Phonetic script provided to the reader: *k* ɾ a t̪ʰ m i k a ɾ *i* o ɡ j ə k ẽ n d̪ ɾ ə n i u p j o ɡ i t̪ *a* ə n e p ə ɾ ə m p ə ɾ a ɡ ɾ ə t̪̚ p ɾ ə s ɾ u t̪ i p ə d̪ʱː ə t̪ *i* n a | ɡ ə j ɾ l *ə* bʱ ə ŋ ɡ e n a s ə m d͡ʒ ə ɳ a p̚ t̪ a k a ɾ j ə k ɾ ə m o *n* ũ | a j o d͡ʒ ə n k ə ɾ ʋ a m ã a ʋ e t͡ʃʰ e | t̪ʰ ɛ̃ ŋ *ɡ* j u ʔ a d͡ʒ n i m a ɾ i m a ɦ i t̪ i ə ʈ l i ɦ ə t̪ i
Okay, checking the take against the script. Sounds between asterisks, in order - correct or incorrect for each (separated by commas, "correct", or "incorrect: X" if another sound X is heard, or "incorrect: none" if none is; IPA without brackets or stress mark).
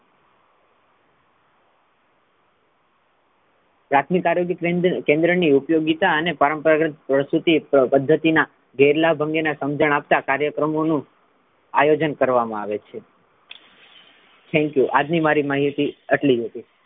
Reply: incorrect: p, incorrect: j, correct, correct, incorrect: a, correct, incorrect: k